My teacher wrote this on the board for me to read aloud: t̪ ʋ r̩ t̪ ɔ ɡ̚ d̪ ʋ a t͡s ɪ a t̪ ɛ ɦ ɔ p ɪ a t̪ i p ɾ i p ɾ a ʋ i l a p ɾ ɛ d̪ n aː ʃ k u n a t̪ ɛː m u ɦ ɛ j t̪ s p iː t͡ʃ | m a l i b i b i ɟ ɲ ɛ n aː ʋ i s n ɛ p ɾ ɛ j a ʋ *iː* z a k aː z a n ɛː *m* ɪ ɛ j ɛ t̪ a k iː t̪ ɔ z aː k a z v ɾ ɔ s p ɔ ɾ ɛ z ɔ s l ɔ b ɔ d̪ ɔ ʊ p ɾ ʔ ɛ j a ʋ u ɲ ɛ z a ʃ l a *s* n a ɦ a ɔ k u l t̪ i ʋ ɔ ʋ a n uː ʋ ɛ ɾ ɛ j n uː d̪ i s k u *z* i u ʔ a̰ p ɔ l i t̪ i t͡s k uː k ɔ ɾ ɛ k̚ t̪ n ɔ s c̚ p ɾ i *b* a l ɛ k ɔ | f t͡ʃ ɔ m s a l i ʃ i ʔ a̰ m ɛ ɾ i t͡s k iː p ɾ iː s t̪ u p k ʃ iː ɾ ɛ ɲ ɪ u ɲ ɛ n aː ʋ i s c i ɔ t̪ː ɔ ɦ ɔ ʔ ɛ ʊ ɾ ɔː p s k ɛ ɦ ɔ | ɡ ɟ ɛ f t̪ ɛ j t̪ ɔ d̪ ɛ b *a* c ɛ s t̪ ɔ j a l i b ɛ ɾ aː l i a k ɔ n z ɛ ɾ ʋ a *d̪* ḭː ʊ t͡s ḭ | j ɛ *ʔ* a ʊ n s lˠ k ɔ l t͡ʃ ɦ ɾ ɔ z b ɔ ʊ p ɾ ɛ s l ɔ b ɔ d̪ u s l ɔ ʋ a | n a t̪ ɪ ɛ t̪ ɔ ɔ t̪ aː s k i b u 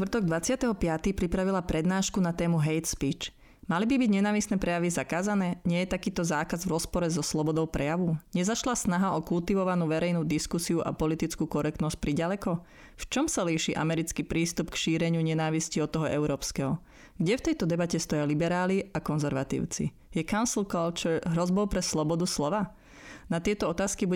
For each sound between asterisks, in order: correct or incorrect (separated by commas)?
incorrect, incorrect, correct, incorrect, incorrect, correct, incorrect, incorrect